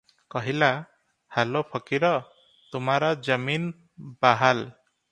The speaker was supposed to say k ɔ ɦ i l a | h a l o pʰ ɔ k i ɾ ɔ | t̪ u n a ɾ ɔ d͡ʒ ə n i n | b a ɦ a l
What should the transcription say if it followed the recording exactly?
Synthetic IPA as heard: k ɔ ɦ i l a | h a l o pʰ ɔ k i ɾ ɔ | t̪ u m a ɾ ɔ d͡ʒ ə m i n | b a ɦ a l

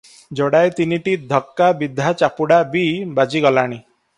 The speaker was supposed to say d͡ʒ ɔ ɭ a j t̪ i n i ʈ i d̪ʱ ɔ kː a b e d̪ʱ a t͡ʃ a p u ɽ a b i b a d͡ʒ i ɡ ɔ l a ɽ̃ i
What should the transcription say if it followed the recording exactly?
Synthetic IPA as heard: d͡ʒ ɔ ɽ a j t̪ i n i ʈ i d̪ʱ ɔ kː a b i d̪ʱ a t͡ʃ a p u ɽ a b i b a d͡ʒ i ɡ ɔ l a ɽ̃ i

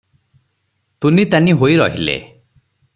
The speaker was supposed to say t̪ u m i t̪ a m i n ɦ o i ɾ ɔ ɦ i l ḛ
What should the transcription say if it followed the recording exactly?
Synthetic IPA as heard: t̪ u n i t̪ a n i ɦ o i ɾ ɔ ɦ i l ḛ

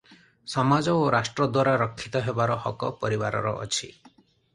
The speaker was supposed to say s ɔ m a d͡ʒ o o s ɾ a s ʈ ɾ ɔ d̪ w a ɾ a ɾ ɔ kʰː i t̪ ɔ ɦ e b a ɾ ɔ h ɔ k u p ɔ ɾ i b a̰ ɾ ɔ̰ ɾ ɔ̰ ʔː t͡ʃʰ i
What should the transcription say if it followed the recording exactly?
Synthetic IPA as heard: s ɔ m a d͡ʒ ɔ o ɾ a s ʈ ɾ ɔ d̪ w a ɾ a ɾ ɔ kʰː i t̪ ɔ ɦ e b a ɾ ɔ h ɔ k ɔ p ɔ ɾ i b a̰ ɾ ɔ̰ ɾ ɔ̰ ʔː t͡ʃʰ i

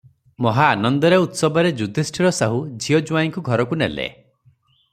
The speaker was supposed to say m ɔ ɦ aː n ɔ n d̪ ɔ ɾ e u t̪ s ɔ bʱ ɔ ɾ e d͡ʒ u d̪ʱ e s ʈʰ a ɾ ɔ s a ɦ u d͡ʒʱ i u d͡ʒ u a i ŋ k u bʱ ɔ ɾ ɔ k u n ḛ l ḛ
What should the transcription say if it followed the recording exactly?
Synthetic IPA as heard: m ɔ ɦ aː n ɔ n d̪ ɔ ɾ e u t̪ s ɔ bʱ ɔ ɾ e d͡ʒ u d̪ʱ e s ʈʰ i ɾ ɔ s a ɦ u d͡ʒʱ i ɔ d͡ʒ u a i ŋ k u ɡʱ ɔ ɾ ɔ k u n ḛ l ḛ

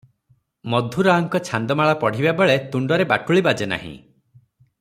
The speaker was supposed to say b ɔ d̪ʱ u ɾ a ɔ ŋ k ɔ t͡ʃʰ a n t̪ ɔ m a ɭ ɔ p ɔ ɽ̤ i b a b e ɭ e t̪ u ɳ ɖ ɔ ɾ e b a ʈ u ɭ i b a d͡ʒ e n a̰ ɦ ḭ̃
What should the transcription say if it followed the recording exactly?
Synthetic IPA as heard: m ɔ d̪ʱ u ɾ a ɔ ŋ k ɔ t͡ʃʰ a n d̪ ɔ m a ɭ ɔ p ɔ ɽ̤ i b a b e ɭ e t̪ u ɳ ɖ ɔ ɾ e b a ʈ u ɭ i b a d͡ʒ e n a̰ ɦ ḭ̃

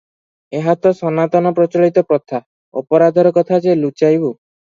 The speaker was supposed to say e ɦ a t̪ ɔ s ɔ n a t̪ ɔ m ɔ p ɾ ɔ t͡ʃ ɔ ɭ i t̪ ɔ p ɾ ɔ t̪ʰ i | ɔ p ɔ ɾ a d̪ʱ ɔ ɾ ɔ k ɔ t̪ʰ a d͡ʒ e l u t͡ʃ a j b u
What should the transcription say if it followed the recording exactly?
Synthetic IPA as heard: e ɦ a t̪ ɔ s ɔ n a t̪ ɔ n ɔ p ɾ ɔ t͡ʃ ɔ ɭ i t̪ ɔ p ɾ ɔ t̪ʰ a | ɔ p ɔ ɾ a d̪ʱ ɔ ɾ ɔ k ɔ t̪ʰ a d͡ʒ e l u t͡ʃ a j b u

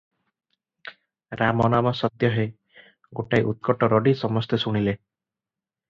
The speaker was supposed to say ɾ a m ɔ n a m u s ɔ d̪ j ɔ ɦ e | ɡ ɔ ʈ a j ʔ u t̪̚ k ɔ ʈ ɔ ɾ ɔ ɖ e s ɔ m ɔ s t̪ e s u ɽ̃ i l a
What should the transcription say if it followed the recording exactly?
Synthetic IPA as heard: ɾ a m ɔ n a m ɔ s ɔ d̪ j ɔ ɦ e | ɡ o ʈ a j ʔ u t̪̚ k ɔ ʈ ɔ ɾ ɔ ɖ i s ɔ m ɔ s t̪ e s u ɽ̃ i l e

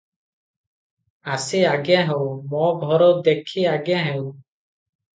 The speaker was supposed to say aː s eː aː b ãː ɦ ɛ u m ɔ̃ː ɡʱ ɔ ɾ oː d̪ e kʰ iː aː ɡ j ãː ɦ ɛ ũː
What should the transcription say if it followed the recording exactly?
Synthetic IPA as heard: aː s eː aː ɡ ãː ɦ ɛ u m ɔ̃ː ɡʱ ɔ ɾ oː d̪ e kʰ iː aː ɡ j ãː ɦ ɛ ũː

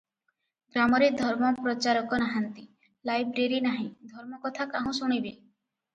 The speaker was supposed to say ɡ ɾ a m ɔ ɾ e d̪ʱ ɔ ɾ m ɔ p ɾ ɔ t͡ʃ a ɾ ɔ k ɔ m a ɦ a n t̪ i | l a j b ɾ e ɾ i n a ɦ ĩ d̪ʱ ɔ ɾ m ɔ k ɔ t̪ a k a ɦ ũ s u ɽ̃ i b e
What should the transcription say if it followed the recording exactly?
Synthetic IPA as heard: ɡ ɾ a m ɔ ɾ e d̪ʱ ɔ ɾ m ɔ p ɾ ɔ t͡ʃ a ɾ ɔ k ɔ n a ɦ a n t̪ i | l a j b ɾ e ɾ i n a ɦ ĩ d̪ʱ ɔ ɾ m ɔ k ɔ t̪ʰ a k a ɦ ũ s u ɽ̃ i b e

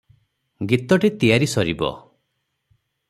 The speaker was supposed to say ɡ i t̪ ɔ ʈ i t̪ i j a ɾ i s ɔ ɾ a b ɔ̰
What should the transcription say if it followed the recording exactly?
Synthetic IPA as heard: ɡ i t̪ ɔ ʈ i t̪ i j a ɾ i s ɔ ɾ i b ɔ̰

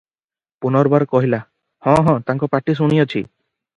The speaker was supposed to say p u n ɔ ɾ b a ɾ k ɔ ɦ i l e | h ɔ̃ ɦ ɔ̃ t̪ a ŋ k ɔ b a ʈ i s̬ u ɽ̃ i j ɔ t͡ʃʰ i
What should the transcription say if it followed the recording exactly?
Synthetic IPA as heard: p u n ɔ ɾ b a ɾ k ɔ ɦ i l a | h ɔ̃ ɦ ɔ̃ t̪ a ŋ k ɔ p a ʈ i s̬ u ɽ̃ i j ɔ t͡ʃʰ i

